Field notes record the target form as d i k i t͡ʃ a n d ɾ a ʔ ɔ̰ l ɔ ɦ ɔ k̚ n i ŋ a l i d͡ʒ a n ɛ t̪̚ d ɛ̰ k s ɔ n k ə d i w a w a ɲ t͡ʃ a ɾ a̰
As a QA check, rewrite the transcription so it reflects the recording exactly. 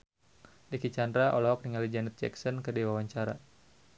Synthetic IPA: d i k i t͡ʃ a n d ɾ a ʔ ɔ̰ l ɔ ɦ ɔ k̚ n i ŋ a l i d͡ʒ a n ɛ t̪̚ d͡ʒ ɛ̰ k s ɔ n k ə d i w a w a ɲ t͡ʃ a ɾ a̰